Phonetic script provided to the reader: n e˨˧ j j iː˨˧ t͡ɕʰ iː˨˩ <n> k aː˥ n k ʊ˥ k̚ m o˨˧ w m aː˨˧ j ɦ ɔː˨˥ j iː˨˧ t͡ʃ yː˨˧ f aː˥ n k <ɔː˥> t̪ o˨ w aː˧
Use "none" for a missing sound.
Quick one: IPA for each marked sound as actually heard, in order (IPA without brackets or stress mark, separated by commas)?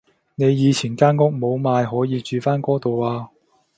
n, ɔː˥